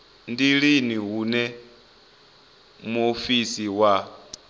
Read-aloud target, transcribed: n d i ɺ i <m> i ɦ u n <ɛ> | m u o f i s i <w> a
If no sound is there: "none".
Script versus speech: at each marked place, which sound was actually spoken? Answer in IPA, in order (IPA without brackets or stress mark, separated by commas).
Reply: n, ɛ, w